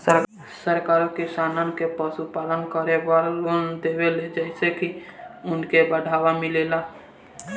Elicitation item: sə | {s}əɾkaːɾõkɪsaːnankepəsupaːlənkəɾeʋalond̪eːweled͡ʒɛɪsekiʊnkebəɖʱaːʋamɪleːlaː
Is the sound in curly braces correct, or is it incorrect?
correct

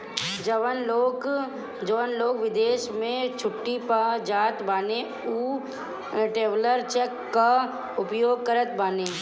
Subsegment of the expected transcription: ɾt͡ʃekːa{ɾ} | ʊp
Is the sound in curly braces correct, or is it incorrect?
incorrect: none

